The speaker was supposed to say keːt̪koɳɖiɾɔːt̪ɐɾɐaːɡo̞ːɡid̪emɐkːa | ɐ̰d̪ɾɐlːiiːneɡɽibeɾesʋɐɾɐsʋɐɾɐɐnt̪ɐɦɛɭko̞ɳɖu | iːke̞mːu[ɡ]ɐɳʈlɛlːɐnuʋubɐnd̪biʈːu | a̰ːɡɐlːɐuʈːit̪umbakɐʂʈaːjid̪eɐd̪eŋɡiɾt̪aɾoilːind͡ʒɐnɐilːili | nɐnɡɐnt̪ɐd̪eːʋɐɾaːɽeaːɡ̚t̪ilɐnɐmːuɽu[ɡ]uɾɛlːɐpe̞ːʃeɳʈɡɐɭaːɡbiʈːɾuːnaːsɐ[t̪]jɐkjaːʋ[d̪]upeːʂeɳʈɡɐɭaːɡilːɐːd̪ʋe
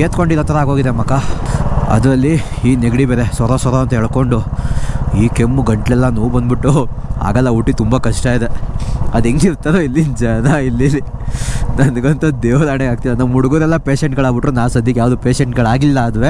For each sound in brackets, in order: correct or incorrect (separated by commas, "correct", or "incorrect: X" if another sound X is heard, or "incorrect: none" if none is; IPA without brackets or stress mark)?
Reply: correct, correct, incorrect: d̪, correct